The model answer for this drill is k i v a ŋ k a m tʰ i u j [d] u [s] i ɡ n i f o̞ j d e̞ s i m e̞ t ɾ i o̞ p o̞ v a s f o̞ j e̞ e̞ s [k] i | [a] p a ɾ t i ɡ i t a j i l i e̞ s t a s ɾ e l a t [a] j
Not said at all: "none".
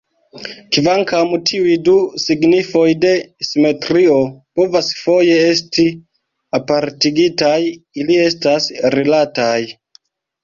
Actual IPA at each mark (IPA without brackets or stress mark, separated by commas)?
d, s, t, a, a